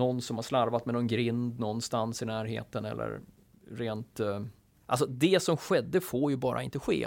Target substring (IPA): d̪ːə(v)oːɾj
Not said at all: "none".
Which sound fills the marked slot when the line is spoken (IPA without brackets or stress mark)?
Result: f